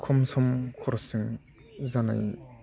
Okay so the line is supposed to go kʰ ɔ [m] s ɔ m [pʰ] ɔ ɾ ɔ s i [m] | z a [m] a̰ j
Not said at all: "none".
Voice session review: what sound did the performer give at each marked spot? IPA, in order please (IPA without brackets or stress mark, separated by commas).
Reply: m, kʰ, ŋ, n